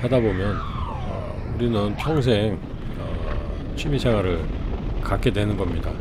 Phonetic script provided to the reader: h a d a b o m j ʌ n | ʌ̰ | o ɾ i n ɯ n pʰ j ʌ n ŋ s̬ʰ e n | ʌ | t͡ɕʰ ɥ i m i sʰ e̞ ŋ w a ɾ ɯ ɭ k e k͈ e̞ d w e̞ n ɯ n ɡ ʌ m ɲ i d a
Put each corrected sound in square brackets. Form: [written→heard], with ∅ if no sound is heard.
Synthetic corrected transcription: h a d a b o m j ʌ n | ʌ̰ | [o→u] ɾ i n ɯ n pʰ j ʌ [n→∅] ŋ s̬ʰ e [n→ŋ] | ʌ | t͡ɕʰ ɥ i m i sʰ e̞ ŋ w a ɾ ɯ ɭ k [e→a] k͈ e̞ d w e̞ n ɯ n ɡ ʌ m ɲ i d a